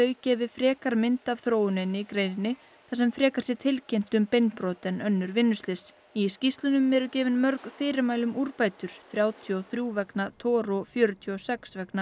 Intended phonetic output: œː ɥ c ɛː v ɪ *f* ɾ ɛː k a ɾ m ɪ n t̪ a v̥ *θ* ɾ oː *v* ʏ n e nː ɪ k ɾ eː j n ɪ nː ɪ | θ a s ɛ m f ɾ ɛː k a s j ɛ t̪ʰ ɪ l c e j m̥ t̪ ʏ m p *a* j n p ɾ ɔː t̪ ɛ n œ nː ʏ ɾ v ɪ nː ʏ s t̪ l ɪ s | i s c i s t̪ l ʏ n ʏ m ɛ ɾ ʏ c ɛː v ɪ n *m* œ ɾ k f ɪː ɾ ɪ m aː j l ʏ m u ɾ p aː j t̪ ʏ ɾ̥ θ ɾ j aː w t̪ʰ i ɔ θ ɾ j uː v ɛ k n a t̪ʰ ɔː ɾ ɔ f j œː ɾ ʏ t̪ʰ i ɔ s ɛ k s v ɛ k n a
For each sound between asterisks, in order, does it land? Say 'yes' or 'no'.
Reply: yes, yes, no, no, yes

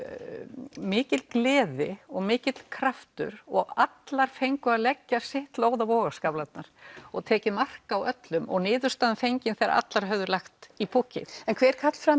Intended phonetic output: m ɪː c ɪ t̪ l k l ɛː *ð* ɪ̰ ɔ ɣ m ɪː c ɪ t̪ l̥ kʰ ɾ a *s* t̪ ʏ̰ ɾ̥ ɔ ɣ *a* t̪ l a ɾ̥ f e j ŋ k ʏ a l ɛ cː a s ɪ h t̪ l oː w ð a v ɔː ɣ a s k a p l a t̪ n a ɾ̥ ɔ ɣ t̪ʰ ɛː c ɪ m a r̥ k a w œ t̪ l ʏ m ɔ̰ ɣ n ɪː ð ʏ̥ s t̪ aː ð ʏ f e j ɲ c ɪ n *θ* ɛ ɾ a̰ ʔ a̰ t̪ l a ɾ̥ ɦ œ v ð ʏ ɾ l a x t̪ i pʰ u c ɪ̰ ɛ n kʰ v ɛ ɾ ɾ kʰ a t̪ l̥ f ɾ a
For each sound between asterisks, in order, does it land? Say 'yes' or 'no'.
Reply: yes, no, yes, yes

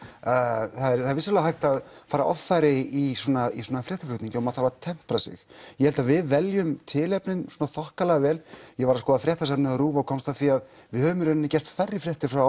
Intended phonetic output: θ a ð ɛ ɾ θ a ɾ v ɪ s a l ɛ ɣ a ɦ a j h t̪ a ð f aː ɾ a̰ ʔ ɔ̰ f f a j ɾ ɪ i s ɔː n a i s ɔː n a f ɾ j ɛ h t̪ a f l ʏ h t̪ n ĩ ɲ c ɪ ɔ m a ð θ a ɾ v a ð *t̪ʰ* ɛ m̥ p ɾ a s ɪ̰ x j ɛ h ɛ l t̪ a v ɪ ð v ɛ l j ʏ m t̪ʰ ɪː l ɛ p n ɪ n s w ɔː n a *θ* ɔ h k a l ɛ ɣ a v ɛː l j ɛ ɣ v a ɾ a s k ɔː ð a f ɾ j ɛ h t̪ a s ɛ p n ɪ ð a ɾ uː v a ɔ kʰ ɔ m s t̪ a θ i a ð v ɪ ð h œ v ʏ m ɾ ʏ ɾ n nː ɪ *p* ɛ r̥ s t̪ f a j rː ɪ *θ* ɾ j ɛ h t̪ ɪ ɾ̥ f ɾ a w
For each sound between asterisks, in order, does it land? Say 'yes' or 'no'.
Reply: yes, yes, no, no

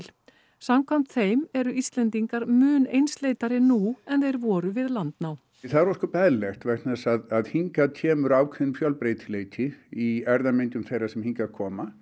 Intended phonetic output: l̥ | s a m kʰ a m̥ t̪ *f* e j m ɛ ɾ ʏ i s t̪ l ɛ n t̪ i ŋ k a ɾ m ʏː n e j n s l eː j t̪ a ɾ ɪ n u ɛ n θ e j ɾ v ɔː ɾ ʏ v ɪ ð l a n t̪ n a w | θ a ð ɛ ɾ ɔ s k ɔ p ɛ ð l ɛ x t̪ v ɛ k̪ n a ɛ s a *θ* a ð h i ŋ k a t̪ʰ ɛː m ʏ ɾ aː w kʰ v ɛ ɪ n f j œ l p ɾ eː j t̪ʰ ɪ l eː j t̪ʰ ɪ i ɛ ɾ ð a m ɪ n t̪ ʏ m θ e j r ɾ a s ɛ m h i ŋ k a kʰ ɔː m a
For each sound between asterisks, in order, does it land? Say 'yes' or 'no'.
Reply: no, no

